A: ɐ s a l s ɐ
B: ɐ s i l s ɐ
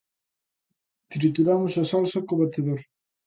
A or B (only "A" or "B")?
A